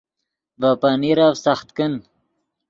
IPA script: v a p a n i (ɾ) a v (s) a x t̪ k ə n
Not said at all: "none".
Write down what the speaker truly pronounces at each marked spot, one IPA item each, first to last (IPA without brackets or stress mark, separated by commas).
ɾ, s